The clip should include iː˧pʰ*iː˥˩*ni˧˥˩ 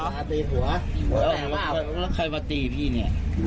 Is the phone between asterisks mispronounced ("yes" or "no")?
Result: no